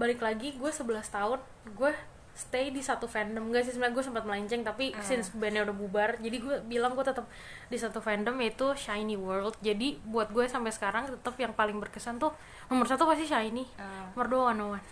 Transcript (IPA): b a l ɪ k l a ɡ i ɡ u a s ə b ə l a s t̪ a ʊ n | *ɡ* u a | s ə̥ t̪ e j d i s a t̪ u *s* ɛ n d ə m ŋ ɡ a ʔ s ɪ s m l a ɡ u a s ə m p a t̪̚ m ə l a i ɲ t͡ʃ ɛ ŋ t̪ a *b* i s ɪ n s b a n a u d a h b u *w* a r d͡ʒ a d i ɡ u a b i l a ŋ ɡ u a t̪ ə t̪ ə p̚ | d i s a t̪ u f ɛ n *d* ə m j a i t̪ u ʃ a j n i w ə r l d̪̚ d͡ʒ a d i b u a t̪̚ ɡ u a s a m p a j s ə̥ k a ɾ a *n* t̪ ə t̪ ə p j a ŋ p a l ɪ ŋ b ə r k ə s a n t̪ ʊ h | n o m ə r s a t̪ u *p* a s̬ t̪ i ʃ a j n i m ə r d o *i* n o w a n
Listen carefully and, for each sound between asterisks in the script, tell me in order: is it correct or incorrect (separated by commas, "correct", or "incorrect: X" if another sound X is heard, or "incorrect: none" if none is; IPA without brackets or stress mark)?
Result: correct, incorrect: f, incorrect: p, incorrect: b, correct, incorrect: ŋ, correct, incorrect: a